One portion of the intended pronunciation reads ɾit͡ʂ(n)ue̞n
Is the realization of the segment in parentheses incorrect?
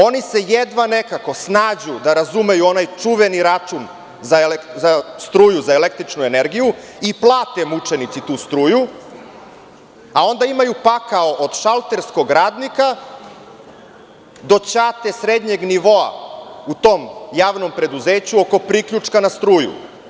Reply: no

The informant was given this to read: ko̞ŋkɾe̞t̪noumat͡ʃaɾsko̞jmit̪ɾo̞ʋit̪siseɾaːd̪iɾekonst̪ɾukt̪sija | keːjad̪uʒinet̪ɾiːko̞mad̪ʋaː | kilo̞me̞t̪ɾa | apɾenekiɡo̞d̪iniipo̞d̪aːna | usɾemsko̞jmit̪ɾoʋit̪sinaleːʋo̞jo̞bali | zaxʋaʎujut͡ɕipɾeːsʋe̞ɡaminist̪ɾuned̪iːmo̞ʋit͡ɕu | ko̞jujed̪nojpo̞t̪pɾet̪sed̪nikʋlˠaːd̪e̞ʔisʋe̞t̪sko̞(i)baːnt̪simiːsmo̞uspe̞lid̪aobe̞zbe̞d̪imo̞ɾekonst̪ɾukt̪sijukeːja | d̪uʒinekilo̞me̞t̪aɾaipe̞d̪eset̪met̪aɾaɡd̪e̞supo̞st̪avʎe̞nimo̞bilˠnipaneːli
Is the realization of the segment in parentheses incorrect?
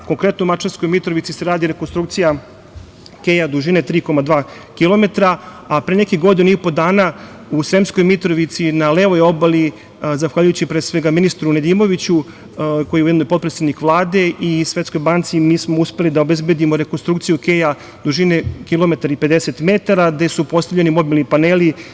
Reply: yes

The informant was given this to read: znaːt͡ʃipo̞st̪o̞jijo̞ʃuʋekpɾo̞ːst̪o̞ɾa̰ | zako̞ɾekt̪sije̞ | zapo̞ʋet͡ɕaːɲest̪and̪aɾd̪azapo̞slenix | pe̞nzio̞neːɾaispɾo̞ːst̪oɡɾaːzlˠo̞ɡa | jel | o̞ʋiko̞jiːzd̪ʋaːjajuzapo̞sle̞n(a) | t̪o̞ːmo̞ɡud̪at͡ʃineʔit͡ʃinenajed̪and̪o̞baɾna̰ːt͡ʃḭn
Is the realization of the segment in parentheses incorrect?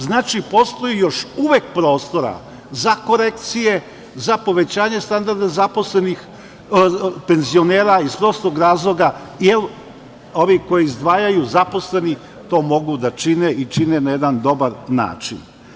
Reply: yes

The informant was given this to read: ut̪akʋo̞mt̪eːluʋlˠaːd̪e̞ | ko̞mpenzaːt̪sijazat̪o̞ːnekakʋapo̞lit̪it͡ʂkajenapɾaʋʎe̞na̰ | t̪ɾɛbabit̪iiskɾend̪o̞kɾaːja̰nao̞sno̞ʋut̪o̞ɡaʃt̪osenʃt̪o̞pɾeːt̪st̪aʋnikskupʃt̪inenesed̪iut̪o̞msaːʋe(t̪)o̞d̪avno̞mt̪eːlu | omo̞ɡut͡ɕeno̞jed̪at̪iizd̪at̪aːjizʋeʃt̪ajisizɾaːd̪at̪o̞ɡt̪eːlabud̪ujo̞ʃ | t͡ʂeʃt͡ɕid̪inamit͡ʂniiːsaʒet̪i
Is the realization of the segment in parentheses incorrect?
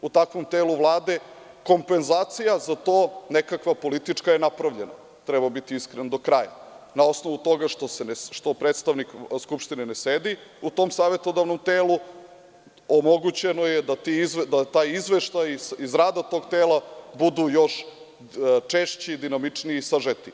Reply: no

